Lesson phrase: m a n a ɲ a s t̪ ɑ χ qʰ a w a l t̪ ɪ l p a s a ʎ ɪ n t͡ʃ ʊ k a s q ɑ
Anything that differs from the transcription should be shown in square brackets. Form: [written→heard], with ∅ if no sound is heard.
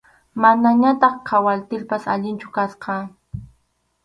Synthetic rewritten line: m a n a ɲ a [s→∅] t̪ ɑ χ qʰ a w a l t̪ ɪ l p a s a ʎ ɪ n t͡ʃ ʊ k a s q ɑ